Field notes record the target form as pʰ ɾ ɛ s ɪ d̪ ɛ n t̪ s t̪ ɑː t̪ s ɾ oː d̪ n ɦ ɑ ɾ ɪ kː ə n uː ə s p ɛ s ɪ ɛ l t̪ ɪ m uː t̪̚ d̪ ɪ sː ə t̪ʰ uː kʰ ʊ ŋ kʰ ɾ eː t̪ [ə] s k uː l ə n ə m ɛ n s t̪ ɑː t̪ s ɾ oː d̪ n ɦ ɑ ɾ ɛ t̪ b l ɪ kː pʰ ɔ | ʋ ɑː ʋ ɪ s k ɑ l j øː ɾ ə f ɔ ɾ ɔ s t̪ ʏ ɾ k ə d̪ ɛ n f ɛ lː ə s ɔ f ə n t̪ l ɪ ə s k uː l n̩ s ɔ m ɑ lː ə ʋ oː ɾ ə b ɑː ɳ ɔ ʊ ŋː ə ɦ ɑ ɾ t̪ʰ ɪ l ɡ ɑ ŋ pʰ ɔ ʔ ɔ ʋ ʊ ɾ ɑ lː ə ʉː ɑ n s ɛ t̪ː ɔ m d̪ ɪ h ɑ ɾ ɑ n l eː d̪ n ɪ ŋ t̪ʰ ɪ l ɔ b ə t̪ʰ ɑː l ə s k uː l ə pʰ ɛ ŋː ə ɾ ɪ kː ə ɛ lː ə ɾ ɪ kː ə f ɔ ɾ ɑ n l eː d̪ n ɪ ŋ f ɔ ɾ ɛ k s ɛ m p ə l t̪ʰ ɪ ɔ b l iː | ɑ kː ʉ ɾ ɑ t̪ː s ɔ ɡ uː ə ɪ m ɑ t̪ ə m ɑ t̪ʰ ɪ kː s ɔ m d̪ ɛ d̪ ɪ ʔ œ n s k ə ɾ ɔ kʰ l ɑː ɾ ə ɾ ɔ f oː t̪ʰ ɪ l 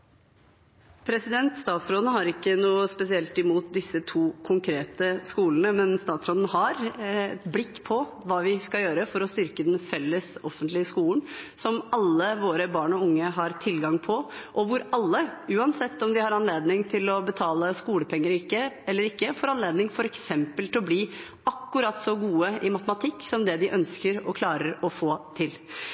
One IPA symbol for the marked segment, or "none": ə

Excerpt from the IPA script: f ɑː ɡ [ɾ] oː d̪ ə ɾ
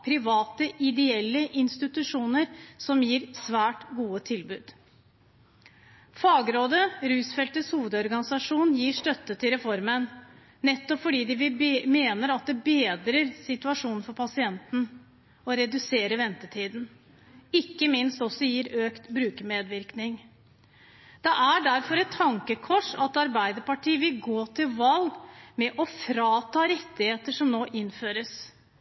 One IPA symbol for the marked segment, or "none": ɾ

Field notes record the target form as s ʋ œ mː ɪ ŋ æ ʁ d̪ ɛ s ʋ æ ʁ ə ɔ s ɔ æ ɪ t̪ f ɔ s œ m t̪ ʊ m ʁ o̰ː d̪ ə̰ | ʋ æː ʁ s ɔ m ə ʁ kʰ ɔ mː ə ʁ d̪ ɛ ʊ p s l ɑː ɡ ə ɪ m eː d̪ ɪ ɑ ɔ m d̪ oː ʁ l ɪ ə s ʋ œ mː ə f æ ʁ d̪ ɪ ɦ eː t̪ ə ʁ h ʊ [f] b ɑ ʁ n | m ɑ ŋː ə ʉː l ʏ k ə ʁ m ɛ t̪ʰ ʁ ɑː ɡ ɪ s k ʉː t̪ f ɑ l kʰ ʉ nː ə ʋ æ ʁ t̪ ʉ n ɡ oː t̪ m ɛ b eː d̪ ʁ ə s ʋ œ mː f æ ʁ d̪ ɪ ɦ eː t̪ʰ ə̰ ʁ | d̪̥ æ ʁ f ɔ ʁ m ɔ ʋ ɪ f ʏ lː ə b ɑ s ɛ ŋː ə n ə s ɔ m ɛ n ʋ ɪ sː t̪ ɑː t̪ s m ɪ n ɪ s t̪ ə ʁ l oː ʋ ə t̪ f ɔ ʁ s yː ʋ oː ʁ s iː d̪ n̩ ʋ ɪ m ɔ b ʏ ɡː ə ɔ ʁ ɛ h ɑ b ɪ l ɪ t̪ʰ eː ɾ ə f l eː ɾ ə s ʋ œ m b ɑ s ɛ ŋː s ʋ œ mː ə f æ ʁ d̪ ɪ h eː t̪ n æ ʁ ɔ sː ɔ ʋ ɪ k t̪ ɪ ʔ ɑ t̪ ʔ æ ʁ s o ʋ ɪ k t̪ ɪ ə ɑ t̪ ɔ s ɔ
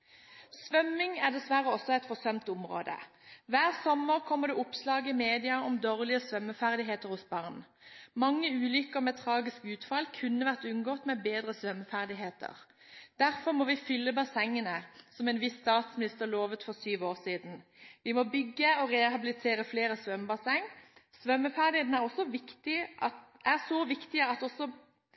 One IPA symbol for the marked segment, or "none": s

